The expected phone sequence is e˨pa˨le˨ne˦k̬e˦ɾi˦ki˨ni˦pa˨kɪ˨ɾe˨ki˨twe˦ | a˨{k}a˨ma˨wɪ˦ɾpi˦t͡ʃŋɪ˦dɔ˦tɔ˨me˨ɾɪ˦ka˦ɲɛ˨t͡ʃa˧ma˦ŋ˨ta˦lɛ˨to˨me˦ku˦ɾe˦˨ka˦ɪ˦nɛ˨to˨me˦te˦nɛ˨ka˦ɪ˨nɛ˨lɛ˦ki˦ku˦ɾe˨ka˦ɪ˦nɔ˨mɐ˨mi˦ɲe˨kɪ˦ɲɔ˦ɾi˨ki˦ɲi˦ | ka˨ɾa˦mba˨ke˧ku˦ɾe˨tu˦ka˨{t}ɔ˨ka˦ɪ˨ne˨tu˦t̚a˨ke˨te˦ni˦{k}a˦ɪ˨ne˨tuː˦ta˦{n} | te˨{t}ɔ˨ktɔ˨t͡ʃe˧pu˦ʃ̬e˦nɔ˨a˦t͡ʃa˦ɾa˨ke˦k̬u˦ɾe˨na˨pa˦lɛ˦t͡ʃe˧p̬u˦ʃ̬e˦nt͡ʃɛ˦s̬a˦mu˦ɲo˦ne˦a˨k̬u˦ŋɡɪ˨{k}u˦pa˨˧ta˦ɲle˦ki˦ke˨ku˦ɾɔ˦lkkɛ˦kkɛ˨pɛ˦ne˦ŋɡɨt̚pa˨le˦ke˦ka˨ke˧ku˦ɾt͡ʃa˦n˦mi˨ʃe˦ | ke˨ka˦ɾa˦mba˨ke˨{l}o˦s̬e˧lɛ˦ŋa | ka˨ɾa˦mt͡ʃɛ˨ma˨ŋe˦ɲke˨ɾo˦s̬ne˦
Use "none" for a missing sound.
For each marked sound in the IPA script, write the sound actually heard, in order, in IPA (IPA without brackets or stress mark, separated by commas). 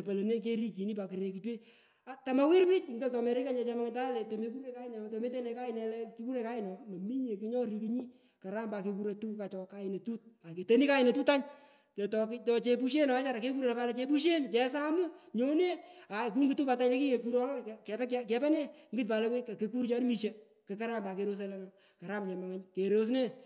t, t͡ʃ, k, ɲ, t, t, ɾ